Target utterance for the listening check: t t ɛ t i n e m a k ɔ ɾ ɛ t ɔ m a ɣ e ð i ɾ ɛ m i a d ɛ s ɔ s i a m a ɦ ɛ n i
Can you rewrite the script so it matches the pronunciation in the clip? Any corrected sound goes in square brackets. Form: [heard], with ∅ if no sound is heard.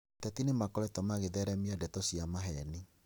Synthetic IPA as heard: t t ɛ t i n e m a k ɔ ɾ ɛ t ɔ m a ɣ e ð [ɛ] ɾ ɛ m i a d ɛ [t] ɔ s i a m a ɦ ɛ n i

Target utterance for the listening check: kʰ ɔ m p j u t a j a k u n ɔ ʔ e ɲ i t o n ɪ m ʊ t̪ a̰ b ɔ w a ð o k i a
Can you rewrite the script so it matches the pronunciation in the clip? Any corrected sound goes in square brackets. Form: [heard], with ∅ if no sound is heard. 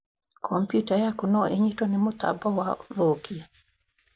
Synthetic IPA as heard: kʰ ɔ m p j u t a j a k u n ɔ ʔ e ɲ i t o n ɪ m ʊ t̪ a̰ b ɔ w a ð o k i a

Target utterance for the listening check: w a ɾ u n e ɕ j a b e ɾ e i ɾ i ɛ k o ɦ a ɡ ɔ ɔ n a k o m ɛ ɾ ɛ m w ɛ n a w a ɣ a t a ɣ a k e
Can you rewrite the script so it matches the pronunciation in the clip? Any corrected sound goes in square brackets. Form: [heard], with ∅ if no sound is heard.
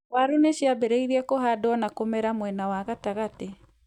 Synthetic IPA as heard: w a ɾ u n e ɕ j a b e ɾ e i ɾ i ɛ k o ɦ a [d] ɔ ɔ n a k o m ɛ ɾ [a] m w ɛ n a w a ɣ a t a ɣ a [t] e

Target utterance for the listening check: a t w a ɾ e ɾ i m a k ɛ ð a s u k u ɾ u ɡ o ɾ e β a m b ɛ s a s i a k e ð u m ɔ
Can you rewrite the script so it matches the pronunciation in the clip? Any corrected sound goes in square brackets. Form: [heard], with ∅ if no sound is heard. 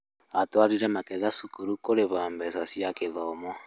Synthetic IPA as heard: a t w a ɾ [i] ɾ [ɛ] m a k ɛ ð a s u k u ɾ u [k] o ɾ e β a m b ɛ s a s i a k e ð [ɔ] m ɔ

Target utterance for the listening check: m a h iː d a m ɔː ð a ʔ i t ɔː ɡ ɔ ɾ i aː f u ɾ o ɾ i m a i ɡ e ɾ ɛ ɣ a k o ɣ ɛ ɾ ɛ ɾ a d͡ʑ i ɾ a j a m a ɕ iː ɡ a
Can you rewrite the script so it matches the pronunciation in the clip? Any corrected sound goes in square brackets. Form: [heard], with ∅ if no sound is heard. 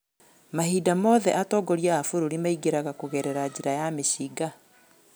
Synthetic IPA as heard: m a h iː d a m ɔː ð [ɛ] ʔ [a] t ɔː ɡ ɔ ɾ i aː f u ɾ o ɾ i m a i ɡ e ɾ [a] ɣ a k o ɣ ɛ ɾ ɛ ɾ a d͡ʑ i ɾ a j a m [e] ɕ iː ɡ a

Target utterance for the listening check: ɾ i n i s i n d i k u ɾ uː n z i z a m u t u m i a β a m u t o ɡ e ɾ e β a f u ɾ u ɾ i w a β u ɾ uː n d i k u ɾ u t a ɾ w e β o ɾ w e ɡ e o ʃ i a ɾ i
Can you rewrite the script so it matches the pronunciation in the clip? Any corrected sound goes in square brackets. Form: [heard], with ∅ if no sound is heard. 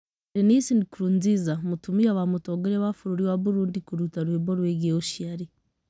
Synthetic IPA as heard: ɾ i n i s i n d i k u ɾ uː n z i z a m u t u m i a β a m u t o ɡ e ɾ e β a f u ɾ u ɾ i w a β u ɾ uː n d i k u ɾ u t a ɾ w e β o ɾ w e ɡ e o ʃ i a ɾ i

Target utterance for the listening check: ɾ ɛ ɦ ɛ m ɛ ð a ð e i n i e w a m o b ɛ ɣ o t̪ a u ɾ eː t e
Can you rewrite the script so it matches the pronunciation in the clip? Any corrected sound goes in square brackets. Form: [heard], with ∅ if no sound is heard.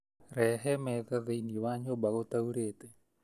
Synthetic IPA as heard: ɾ ɛ ɦ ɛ m ɛ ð a ð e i n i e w a [ɲ] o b [a] ɣ o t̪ a u ɾ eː t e

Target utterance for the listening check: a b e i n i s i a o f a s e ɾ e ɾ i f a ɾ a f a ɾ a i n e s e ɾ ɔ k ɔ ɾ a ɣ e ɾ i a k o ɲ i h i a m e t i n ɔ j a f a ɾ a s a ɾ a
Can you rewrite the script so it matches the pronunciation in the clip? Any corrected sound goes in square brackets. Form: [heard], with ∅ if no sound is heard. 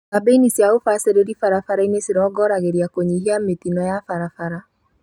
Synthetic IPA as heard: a b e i n i s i a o f a s e ɾ e ɾ i f a ɾ a f a ɾ a i n e s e ɾ ɔ [ɡ] ɔ ɾ a ɣ e ɾ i a k o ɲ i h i a m e t i n ɔ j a f a ɾ a [f] a ɾ a

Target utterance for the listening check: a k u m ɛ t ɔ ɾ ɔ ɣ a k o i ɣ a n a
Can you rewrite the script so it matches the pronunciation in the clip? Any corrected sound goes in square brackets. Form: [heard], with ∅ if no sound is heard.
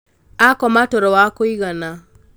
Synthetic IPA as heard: a k [ɔ] m [a] t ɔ ɾ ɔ [w] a k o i ɣ a n a

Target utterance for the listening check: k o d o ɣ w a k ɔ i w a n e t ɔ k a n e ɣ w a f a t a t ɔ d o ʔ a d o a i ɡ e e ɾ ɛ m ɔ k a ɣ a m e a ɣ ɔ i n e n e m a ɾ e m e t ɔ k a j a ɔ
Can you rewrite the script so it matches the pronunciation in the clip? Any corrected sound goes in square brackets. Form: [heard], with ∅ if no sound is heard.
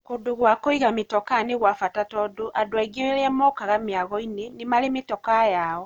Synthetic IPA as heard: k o d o ɣ w a k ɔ i [ɣ] a [m] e t ɔ k a n e ɣ w a f a t a t ɔ d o ʔ a d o a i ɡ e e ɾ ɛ m ɔ k a ɣ a m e a ɣ ɔ i n e n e m a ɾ e m e t ɔ k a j a ɔ

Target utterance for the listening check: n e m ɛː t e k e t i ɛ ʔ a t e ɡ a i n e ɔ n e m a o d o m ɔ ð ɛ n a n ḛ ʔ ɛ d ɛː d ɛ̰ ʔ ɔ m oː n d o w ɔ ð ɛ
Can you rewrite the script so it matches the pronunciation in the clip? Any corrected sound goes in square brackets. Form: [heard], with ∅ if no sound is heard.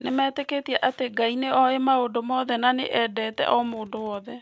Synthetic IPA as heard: n e m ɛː t e k e t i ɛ ʔ a t e ɡ a i n e ɔ [∅] e m a o d o m ɔ ð ɛ n a n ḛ ʔ ɛ d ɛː [t] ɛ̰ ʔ ɔ m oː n d o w ɔ ð ɛ

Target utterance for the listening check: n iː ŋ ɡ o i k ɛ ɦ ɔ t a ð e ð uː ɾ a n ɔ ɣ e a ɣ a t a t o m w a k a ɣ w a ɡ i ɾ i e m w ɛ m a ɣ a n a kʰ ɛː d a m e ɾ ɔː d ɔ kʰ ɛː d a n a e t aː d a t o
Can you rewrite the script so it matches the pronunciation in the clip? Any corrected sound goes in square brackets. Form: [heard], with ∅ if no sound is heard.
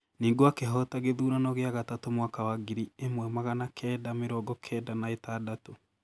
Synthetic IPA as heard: n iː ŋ ɡ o [a] k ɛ ɦ ɔ t a [ɣ] e ð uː ɾ a n ɔ ɣ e a ɣ a t a t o m w a k a [∅] w a ɡ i ɾ i e m w ɛ m a ɣ a n a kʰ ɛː d a m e ɾ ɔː [ɡ] ɔ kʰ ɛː d a n a e t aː d a t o

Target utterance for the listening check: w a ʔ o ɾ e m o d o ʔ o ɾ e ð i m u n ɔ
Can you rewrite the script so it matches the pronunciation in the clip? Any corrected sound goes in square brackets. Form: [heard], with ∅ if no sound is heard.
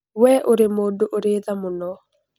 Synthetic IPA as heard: w [ɛ] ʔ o ɾ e m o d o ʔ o ɾ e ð [a] m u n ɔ

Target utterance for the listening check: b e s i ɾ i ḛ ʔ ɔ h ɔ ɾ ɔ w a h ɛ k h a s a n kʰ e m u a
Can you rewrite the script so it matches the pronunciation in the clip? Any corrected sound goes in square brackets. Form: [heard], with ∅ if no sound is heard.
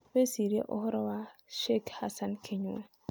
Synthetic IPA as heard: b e s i ɾ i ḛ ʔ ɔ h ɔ ɾ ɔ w a [ʃ] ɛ k h a s a n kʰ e [ɲ] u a

